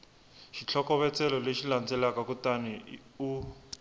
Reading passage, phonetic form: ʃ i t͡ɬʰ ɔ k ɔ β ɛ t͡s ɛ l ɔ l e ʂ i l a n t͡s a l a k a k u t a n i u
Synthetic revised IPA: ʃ i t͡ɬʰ ɔ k ɔ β ɛ t͡s ɛ l ɔ l e ʃ i l a n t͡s ɛ l a k a k u t a n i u